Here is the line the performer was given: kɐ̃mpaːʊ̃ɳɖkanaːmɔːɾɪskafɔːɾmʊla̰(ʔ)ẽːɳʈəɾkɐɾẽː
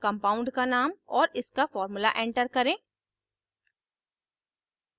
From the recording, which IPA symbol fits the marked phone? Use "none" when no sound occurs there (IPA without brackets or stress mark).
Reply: ʔ